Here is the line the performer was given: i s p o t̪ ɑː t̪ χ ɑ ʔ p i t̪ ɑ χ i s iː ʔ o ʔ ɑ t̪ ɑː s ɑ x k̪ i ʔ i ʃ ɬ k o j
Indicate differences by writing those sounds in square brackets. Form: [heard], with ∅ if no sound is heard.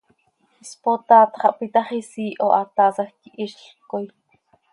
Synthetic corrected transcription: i s p o t̪ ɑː t̪ χ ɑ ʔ p i t̪ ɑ χ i s iː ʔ o ʔ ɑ t̪ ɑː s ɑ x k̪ i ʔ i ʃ ɬ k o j